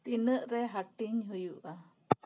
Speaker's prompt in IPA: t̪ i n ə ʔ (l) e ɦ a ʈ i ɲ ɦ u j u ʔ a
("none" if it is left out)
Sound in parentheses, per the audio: ɾ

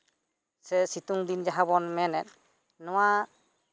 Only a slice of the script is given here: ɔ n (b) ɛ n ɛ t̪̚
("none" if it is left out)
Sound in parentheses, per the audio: m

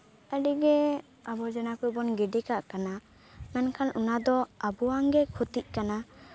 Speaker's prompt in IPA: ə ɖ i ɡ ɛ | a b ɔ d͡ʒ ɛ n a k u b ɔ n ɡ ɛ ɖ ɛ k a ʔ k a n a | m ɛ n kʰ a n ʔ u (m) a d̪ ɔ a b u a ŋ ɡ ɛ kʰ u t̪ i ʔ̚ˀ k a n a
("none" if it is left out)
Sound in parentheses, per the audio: n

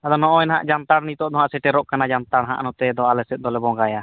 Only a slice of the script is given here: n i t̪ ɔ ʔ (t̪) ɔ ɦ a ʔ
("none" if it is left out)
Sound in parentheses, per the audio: d̪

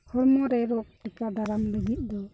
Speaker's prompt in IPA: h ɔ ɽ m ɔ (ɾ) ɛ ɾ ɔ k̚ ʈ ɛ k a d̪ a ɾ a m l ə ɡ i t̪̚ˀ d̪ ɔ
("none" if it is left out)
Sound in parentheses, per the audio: ɾ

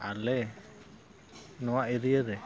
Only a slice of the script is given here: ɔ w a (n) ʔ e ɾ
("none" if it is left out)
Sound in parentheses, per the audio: none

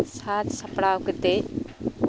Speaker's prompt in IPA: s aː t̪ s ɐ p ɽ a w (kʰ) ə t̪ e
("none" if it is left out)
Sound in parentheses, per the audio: k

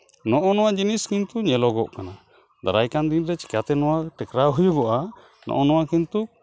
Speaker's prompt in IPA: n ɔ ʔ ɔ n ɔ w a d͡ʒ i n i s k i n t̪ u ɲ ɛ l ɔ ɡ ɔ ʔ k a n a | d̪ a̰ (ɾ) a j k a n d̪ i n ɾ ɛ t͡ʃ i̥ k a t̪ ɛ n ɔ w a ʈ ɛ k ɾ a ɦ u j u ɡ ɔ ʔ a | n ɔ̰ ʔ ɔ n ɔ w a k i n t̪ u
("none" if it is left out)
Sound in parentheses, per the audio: ɾ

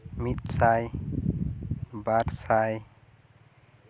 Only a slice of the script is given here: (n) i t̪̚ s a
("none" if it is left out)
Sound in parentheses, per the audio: m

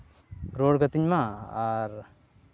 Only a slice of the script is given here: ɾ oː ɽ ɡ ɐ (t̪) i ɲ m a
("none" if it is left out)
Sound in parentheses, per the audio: t̪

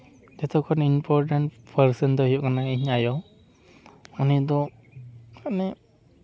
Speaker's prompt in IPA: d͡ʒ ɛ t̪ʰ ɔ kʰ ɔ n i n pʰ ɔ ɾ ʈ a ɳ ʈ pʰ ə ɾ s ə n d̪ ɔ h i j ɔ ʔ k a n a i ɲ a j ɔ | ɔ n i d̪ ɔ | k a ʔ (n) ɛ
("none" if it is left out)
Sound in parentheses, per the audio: n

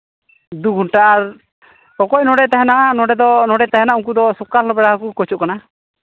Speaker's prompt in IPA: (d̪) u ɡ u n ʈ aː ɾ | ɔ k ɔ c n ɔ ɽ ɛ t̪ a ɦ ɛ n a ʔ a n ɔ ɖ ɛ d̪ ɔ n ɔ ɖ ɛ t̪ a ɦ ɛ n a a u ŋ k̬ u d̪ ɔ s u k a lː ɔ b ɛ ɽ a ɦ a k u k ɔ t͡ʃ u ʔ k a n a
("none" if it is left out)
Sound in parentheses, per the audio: d̪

